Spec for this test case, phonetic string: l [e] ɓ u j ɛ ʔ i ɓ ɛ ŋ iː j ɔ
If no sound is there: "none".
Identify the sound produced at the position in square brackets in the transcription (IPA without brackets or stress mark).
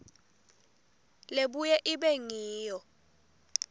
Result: e